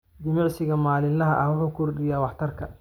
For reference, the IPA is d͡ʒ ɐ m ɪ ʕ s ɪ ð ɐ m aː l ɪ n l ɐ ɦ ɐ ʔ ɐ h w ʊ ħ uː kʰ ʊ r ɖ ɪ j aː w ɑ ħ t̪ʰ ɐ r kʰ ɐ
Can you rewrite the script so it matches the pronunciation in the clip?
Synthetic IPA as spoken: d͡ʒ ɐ m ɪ ʕ s ɪ ɣ ɐ m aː l ɪ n l ɐ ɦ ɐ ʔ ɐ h w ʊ ħ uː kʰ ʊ r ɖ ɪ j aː w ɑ ħ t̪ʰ ɐ r kʰ ɐ